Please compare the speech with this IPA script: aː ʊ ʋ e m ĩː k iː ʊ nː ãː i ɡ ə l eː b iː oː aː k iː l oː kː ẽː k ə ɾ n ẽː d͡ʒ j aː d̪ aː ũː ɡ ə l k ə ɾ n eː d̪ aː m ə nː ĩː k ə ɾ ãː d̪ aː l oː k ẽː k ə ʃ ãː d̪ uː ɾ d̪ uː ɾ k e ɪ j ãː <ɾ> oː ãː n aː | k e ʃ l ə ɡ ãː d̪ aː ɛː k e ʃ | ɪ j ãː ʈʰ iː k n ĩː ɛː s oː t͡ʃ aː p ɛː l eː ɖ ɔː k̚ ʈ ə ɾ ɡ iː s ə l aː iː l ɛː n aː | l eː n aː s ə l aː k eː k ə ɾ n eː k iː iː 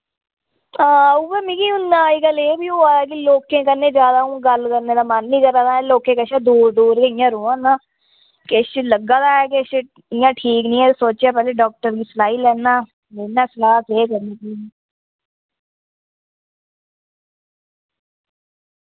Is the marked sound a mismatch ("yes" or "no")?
no